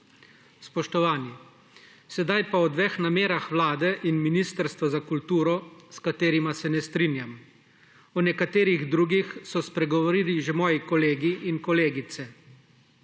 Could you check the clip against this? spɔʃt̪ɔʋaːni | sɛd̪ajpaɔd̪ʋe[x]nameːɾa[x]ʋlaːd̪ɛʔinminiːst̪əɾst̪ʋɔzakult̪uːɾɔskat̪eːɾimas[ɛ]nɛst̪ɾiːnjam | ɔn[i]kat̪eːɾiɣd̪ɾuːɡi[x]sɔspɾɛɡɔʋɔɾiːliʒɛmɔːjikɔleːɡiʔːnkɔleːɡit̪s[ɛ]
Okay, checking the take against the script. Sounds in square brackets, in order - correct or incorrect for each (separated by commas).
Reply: correct, correct, correct, incorrect, correct, correct